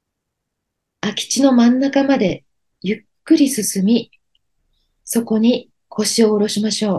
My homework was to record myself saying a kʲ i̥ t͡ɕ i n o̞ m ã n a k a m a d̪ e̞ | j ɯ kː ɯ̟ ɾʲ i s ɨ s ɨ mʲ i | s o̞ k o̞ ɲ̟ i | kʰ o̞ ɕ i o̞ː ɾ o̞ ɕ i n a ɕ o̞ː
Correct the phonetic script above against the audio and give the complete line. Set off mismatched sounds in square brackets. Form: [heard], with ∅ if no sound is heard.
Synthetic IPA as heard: a kʲ i̥ t͡ɕ i n o̞ m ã [nː] a k a m a d̪ e̞ | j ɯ kː ɯ̟ ɾʲ i s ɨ s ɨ mʲ i | s o̞ k o̞ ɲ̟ i | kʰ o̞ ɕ i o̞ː ɾ o̞ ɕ i [m] a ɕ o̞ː